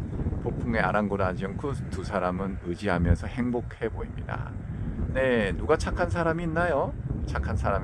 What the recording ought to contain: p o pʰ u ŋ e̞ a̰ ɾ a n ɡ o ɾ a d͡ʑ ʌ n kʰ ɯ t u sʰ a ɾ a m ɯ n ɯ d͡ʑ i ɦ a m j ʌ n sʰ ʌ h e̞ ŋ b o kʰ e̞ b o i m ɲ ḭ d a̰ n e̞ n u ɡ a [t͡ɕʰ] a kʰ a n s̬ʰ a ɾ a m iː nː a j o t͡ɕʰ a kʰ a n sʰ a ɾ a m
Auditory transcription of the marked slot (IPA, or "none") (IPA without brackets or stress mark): t͡ɕʰ